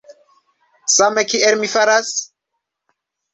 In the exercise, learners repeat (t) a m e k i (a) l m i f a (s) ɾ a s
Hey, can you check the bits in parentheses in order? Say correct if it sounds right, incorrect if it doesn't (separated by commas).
incorrect, incorrect, incorrect